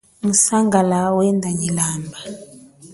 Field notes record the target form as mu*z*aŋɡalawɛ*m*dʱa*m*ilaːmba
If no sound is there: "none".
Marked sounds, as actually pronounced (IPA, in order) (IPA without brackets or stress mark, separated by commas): s, n, ɲ